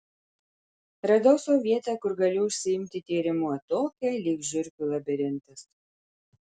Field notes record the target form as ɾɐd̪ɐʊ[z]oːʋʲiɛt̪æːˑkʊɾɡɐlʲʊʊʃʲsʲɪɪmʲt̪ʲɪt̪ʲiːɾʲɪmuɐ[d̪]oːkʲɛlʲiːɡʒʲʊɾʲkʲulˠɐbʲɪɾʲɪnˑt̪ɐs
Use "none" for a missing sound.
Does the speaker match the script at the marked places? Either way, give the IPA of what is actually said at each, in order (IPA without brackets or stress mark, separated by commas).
s, t̪